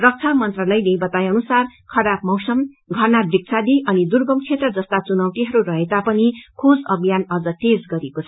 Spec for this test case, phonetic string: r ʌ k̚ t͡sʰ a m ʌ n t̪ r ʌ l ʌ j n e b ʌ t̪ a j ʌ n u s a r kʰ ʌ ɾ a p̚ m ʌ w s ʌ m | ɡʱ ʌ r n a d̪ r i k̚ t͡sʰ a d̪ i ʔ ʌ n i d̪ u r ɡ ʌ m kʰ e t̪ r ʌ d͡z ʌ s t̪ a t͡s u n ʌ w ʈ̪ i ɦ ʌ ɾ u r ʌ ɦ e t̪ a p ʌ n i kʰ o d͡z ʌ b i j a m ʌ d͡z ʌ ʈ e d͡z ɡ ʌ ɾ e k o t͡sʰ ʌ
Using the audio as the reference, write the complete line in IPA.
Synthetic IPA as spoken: r ʌ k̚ t͡sʰ a m ʌ n t̪ r ʌ l ʌ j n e b ʌ t̪ a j ʌ n u s a r kʰ ʌ ɾ a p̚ m ʌ w s ʌ m | ɡʱ ʌ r n a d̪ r i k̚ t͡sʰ a d̪ i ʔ ʌ n i d̪ u r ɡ ʌ m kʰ e t̪ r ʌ d͡z ʌ s t̪ a t͡s u n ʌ w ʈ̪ i ɦ ʌ ɾ u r ʌ ɦ e t̪ a p ʌ n i kʰ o d͡z ʌ b i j a n ʌ d͡z ʌ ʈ e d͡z ɡ ʌ ɾ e k o t͡sʰ ʌ

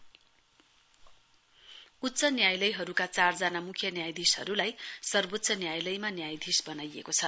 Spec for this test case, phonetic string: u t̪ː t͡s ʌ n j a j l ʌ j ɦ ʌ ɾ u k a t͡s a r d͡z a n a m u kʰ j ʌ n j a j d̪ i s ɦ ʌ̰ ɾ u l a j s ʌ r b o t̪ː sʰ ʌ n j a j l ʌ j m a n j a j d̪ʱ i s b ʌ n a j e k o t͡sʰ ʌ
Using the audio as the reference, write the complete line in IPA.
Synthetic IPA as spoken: u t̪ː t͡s ʌ n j a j l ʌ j ɦ ʌ ɾ u k a t͡s a r d͡z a n a m u kʰ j ʌ n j a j d̪ i s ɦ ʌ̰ ɾ u l a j s ʌ r b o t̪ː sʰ ʌ n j a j l ʌ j m a n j a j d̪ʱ i s b ʌ n a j e k o t͡sʰ ʌ

